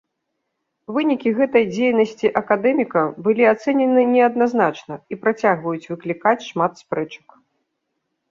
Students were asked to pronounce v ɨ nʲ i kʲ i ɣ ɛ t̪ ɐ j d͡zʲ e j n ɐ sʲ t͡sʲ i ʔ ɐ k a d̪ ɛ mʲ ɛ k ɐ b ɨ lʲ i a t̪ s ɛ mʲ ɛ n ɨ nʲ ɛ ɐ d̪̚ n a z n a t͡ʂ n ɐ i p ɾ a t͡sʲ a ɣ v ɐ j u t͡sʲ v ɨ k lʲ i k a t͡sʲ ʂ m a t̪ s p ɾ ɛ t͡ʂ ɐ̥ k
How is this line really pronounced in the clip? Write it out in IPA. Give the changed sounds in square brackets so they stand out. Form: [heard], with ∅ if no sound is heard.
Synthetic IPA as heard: v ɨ nʲ i kʲ i ɣ ɛ t̪ ɐ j d͡zʲ e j n ɐ sʲ t͡sʲ i ʔ ɐ k a d̪ ɛ mʲ [i] k ɐ b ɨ lʲ i a t̪ s ɛ [nʲ] ɛ n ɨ nʲ ɛ ɐ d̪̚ n a z n a t͡ʂ n ɐ i p ɾ a t͡sʲ a ɣ v ɐ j u t͡sʲ v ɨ k lʲ i k a t͡sʲ ʂ m a t̪ s p ɾ ɛ t͡ʂ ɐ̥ k